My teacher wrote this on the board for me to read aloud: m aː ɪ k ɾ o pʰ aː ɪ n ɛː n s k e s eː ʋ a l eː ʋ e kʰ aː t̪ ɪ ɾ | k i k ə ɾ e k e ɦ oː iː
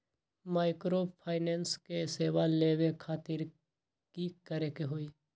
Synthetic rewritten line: m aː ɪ k ɾ o pʰ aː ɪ n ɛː n s k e s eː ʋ a l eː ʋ e kʰ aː t̪ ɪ ɾ | k i k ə ɾ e k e ɦ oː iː

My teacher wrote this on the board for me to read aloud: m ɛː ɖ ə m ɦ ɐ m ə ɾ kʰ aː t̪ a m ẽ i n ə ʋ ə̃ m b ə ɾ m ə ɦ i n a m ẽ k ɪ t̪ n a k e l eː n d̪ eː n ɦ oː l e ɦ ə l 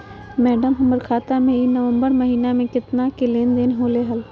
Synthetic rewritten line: m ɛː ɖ ə m ɦ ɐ m ə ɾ kʰ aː t̪ a m ẽ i n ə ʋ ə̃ m b ə ɾ m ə ɦ iː n a m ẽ k ɪ t̪ n a k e l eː n d̪ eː n ɦ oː l e ɦ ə l

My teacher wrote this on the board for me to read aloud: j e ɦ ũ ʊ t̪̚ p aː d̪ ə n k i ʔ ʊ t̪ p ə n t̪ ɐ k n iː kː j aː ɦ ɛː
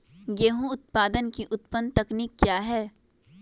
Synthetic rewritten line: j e ɦ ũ ʊ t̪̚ p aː d̪ ə n k i ʔ ʊ t̪ p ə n t̪ ɐ k n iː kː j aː ɦ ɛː

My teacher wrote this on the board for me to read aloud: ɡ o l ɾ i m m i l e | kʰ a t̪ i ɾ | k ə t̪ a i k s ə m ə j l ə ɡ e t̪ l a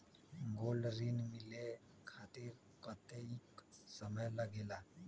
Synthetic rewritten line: ɡ o l ɾ i n m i l e | kʰ a t̪ i ɾ | k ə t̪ e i k s ə m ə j l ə ɡ e l a

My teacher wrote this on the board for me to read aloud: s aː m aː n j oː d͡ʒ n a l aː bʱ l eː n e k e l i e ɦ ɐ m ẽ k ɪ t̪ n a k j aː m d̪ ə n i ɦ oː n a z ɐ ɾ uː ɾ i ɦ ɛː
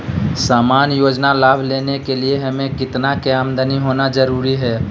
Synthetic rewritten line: s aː m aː n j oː d͡ʒ n a l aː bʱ l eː n e k e l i e ɦ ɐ m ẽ k ɪ t̪ n a k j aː m d̪ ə n i ɦ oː n a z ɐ ɾ uː ɾ i ɦ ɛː

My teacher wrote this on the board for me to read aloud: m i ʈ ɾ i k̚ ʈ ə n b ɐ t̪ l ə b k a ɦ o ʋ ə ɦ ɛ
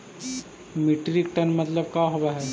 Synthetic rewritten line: m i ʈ ɾ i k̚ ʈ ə n m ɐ t̪ l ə b k a ɦ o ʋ a ɦ ɛ

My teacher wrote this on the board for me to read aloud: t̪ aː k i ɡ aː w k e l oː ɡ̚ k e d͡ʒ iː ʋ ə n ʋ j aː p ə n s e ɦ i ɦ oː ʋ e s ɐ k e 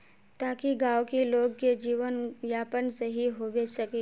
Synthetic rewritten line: t̪ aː k i ɡ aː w k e l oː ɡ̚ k e d͡ʒ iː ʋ ə n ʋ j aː p ə n s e ɦ i ɦ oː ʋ e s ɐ k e

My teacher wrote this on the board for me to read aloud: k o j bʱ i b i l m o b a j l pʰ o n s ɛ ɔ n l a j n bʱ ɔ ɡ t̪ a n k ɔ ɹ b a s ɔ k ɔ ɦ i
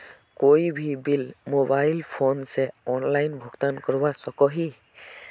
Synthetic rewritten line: k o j bʱ i b i l m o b a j l pʰ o n s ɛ ɔ n l a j n bʱ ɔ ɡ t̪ a n k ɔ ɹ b a s ɔ k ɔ ɦ i

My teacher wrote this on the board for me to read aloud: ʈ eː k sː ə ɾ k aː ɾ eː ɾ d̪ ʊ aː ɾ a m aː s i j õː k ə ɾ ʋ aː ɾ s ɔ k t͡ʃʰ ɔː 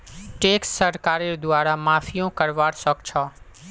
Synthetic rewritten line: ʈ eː k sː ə ɾ k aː ɾ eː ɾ d̪ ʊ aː ɾ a m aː f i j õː k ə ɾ ʋ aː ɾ s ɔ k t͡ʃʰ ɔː

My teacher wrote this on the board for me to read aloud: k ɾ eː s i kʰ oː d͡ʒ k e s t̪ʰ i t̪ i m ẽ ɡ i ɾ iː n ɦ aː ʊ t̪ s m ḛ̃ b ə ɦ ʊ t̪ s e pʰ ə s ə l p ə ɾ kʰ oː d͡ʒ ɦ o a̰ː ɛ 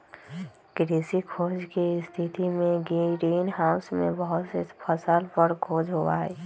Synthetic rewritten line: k ɾ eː s i kʰ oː d͡ʒ k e s t̪ʰ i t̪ i m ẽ ɡ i ɾ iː n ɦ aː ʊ s m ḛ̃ b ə ɦ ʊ t̪ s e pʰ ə s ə l p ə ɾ kʰ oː d͡ʒ ɦ o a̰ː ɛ

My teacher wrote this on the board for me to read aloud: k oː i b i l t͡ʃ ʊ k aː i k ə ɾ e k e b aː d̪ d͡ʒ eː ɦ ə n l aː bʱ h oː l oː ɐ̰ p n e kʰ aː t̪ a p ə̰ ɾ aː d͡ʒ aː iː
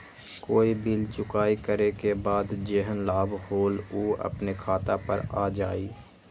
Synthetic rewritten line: k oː i b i l t͡ʃ ʊ k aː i k ə ɾ e k e b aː d̪ d͡ʒ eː ɦ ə n l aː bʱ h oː l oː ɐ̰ p n e kʰ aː t̪ a p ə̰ ɾ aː d͡ʒ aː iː

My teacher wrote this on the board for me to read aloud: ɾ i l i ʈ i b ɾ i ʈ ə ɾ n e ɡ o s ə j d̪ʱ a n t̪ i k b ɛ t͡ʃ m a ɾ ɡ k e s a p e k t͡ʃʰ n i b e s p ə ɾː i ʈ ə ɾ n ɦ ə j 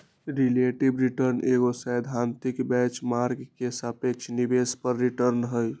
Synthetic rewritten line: ɾ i l e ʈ i b ɾ i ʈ ə ɾ n e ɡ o s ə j d̪ʱ a n t̪ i k b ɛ t͡ʃ m a ɾ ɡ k e s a p e k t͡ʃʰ n i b e s p ə ɾː i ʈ ə ɾ n ɦ ə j

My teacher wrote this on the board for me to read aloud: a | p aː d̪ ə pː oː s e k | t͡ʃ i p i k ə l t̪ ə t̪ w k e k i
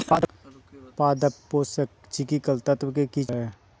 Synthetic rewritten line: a | p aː d̪ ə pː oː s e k | t͡ʃ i k i k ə l t̪ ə t̪ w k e k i

